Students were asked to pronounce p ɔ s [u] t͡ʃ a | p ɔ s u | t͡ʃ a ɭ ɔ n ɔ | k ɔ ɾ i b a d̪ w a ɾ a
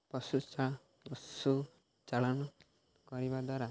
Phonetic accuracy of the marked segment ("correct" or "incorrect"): correct